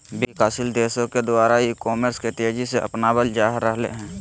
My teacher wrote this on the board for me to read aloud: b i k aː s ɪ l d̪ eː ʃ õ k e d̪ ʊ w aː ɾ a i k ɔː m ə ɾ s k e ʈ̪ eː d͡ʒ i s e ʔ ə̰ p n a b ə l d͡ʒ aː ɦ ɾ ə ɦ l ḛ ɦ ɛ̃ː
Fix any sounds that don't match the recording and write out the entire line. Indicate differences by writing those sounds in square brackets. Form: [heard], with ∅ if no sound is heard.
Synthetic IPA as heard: b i k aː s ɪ l d̪ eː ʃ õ k e d̪ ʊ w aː ɾ a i k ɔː m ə ɾ s k e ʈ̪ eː d͡ʒ i s e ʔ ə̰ p n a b ə l d͡ʒ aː ɦ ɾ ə ɦ l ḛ ɦ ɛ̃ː